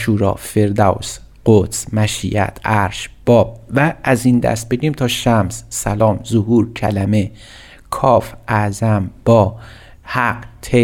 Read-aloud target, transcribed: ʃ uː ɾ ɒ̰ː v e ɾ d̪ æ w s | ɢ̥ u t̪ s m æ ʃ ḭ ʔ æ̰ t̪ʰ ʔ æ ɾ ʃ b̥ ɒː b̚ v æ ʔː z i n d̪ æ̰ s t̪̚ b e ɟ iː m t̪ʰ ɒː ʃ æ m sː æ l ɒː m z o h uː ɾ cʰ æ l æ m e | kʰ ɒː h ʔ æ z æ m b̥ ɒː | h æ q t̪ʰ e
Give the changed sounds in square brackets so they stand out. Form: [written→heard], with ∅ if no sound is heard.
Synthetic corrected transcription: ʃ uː ɾ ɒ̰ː [v→f] e ɾ d̪ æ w s | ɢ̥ [u→o] t̪ s m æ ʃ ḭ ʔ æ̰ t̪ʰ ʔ æ ɾ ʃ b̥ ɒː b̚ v æ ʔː z i n d̪ æ̰ s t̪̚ b e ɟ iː m t̪ʰ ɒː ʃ æ m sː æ l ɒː m z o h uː ɾ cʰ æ l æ m e | kʰ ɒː [h→f] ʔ æ z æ m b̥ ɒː | h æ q t̪ʰ e